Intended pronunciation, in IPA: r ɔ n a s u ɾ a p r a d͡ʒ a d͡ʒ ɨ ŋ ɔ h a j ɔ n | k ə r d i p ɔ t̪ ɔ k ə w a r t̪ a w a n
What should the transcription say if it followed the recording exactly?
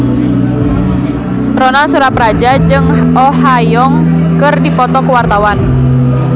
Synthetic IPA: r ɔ n a s u ɾ a p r a d͡ʒ a d͡ʒ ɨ ŋ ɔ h a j ɔ ŋ | k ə r d i p ɔ t̪ ɔ k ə w a r t̪ a w a n

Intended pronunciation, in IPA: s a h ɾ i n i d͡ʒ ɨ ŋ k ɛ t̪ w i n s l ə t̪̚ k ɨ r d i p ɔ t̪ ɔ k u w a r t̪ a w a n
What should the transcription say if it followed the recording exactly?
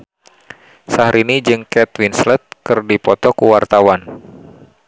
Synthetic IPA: s a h ɾ i n i d͡ʒ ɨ ŋ k ɛ t̪ w i n s l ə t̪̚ k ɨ r d i p ɔ t̪ ɔ k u w a r t̪ a w a n

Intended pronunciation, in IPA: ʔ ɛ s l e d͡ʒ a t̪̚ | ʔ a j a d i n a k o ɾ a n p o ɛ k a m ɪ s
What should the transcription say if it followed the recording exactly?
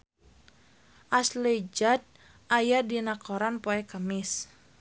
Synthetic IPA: ʔ a s l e d͡ʒ a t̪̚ | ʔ a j a d i n a k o ɾ a n p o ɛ k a m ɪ s

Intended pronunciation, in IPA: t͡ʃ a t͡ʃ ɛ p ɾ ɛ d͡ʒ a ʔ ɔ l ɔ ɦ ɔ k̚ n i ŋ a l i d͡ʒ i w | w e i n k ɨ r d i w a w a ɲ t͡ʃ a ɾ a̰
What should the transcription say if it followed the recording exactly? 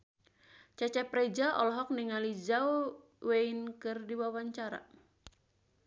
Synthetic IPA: t͡ʃ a t͡ʃ ɛ p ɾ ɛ d͡ʒ a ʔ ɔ l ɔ ɦ ɔ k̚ n i ŋ a l i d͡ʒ a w | w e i n k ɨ r d i w a w a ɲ t͡ʃ a ɾ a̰

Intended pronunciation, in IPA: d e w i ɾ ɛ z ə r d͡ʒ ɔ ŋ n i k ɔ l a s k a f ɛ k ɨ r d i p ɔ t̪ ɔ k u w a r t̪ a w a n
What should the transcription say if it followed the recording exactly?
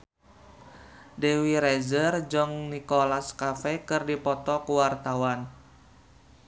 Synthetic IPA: d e w i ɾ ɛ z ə r d͡ʒ ɔ ŋ n i k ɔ l a s k a f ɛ k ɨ r d i p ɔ t̪ ɔ k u w a r t̪ a w a n

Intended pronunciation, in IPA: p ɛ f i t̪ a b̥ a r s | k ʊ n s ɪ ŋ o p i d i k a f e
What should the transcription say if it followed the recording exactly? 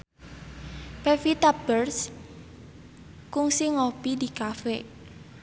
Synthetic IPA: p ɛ f i t̪ a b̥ ə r s | k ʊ ŋ s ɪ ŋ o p i d i k a f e

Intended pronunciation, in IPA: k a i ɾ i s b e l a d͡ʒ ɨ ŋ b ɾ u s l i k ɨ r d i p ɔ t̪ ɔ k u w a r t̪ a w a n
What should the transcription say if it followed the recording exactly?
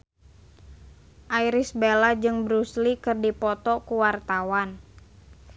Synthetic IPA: ʔ a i ɾ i s b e l a d͡ʒ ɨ ŋ b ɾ u s l i k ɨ r d i p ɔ t̪ ɔ k u w a r t̪ a w a n

